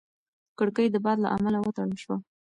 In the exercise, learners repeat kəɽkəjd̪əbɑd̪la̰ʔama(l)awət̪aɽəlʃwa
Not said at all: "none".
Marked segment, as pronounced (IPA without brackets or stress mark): l